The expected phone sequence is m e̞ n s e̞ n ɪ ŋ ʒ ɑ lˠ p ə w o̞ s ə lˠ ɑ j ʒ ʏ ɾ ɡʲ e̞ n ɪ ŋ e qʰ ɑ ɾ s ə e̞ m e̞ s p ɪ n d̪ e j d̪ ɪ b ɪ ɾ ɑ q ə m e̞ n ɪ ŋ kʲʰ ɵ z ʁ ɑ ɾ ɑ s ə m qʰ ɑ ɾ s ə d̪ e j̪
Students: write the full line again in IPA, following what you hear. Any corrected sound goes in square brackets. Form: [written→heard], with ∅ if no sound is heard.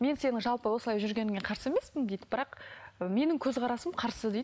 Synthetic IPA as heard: m e̞ n s e̞ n ɪ ŋ ʒ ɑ lˠ p ə w o̞ s ə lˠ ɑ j ʒ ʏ ɾ ɡʲ e̞ n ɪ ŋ e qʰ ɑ ɾ s ə e̞ m e̞ s p ɪ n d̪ e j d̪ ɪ b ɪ ɾ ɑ q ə m e̞ n ɪ ŋ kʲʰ ɵ z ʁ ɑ ɾ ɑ s ə m qʰ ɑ ɾ s ə d̪ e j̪